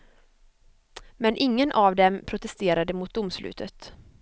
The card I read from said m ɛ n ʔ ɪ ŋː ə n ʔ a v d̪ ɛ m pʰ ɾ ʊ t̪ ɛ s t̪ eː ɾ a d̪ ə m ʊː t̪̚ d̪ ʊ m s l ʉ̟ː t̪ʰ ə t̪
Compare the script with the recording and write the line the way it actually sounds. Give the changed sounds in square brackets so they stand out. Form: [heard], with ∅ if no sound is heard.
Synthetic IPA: m ɛ n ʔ ɪ ŋː ə n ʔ a v d̪ ɛ m pʰ ɾ ʊ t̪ ɛ s t̪ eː ɾ a d̪ ə m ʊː t̪̚ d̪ ʊ m s l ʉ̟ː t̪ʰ ə t̪